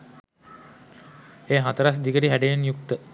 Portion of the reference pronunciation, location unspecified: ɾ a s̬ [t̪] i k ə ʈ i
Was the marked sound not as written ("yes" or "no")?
yes